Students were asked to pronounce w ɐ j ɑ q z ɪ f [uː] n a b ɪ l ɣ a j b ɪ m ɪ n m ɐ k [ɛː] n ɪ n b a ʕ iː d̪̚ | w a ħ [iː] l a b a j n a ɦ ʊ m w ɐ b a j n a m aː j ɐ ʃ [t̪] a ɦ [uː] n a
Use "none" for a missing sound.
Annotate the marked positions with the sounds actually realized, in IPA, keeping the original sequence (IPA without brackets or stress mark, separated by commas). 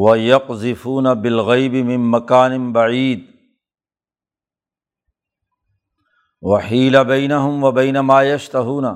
uː, aː, iː, t̪, uː